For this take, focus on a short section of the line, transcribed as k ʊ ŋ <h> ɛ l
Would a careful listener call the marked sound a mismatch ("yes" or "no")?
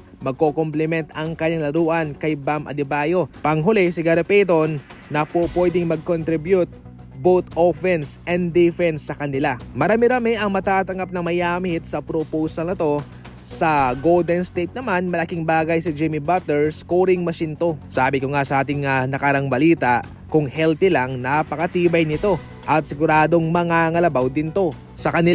no